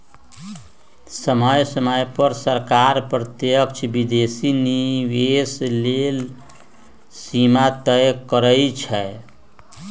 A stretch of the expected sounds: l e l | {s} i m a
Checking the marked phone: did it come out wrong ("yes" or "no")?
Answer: no